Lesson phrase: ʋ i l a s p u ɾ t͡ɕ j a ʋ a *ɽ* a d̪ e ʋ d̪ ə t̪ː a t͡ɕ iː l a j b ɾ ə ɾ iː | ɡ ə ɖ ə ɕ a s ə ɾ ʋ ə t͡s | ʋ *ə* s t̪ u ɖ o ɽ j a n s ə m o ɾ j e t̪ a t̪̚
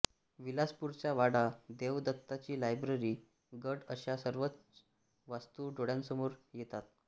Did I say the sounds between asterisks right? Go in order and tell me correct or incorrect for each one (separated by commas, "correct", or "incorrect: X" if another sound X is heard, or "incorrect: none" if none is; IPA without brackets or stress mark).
correct, incorrect: a